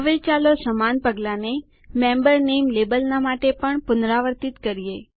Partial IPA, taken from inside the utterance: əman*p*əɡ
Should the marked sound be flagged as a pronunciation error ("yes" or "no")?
no